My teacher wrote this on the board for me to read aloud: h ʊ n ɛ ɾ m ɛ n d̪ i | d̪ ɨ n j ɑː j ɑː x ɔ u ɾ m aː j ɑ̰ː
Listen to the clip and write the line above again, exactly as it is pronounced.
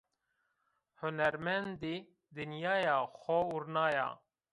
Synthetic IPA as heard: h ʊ n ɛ ɾ m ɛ n d̪ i | d̪ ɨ n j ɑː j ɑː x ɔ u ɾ n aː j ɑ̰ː